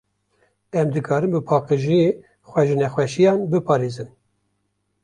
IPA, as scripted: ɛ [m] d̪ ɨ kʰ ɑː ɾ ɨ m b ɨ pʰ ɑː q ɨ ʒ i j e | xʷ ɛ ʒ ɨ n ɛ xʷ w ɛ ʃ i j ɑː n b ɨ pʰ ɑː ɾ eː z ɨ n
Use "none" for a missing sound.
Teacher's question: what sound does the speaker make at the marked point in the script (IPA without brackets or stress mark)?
m